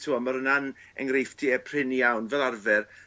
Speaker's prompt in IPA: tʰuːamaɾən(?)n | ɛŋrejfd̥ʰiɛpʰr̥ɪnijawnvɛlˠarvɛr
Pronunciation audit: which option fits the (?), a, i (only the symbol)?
a